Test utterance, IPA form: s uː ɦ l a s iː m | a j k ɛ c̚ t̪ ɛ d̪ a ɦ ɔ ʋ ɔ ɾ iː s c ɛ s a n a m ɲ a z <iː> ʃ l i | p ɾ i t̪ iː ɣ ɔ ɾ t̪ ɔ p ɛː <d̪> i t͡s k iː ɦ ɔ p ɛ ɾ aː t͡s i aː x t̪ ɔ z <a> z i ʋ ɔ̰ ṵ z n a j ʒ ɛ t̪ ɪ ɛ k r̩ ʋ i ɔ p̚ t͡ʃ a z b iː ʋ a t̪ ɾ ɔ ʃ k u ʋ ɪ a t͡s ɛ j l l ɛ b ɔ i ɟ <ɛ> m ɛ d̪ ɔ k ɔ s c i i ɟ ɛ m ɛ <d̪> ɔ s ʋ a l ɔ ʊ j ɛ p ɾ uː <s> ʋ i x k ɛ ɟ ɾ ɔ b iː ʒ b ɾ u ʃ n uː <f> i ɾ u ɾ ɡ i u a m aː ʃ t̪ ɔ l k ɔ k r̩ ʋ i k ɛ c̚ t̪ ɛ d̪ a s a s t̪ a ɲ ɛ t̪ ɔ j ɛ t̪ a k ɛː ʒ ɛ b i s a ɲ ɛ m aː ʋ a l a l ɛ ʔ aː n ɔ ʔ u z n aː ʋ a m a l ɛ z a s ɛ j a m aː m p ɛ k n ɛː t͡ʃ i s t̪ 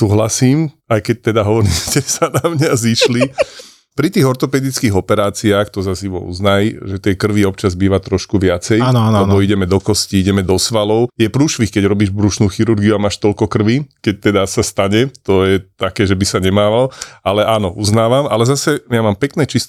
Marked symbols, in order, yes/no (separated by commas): no, yes, yes, yes, yes, no, no